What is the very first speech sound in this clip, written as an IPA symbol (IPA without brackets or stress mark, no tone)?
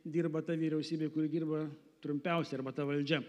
d̪ʲ